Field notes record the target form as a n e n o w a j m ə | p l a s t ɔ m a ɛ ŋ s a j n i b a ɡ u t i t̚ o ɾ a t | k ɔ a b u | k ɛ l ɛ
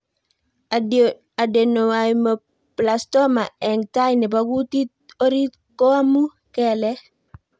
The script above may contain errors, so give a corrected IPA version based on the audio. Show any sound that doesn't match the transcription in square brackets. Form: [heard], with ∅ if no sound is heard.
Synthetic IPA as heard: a [d] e n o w a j m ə | p l a s t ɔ m a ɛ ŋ [t] a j n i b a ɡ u t i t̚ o ɾ [i] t | k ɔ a [m] u | k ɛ l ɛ